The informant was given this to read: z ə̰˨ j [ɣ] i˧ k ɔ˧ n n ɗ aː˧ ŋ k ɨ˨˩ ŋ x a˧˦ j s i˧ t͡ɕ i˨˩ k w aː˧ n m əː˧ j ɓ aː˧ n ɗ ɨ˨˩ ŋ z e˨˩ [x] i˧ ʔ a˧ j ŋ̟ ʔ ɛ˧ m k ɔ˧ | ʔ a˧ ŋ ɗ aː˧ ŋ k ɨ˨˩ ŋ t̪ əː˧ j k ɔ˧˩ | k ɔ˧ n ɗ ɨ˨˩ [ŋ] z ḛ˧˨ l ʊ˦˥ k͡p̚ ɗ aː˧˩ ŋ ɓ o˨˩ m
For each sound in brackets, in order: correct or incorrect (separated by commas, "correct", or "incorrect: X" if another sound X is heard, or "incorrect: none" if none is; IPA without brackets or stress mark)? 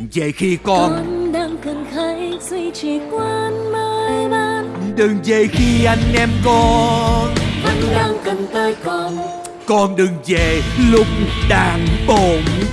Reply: incorrect: x, correct, correct